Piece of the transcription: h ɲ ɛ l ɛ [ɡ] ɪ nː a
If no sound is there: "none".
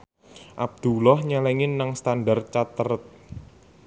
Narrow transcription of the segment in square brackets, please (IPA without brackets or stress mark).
ŋ